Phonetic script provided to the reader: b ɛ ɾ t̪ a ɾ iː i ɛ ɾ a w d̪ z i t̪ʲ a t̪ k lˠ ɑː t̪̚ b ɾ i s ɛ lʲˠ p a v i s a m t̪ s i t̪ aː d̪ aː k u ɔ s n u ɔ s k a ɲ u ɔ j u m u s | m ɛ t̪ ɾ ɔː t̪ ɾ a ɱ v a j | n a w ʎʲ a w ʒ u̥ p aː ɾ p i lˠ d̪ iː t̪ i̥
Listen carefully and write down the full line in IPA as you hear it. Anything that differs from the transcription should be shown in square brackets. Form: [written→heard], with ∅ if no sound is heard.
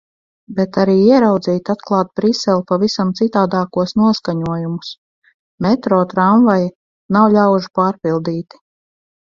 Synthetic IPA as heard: b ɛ [ɾ→∅] t̪ a ɾ iː i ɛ ɾ a w d̪ z [i→iː] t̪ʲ a t̪ k lˠ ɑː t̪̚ b ɾ i s ɛ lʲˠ p a v i s a m t̪ s i t̪ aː d̪ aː k u ɔ s n u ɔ s k a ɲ u ɔ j u m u s | m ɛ t̪ ɾ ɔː t̪ ɾ a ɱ v a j | n a w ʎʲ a w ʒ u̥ p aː ɾ p i lˠ d̪ iː t̪ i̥